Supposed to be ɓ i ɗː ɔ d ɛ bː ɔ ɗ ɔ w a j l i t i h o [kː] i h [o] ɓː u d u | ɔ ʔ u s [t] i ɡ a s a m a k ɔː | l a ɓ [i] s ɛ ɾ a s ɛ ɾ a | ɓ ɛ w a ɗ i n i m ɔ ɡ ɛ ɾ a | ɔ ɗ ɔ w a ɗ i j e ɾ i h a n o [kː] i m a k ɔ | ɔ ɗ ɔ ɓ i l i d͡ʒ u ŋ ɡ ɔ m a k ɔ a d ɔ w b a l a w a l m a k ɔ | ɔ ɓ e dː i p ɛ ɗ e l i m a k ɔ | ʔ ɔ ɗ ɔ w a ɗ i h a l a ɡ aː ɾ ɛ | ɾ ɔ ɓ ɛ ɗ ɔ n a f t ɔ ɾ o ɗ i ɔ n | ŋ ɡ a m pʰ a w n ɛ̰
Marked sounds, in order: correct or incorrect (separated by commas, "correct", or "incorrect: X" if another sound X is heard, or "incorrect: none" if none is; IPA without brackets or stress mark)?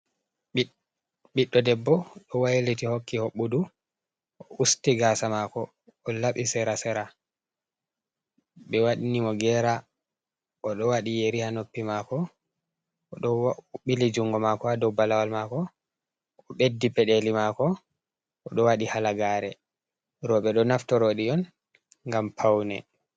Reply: correct, correct, correct, correct, incorrect: pː